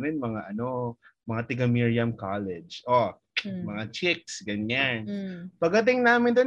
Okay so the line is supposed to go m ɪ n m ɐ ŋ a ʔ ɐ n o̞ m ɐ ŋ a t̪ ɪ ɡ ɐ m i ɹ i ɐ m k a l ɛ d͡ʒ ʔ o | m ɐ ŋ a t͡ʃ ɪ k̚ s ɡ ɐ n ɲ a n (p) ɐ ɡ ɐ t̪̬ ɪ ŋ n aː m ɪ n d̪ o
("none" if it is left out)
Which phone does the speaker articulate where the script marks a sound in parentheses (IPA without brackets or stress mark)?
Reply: p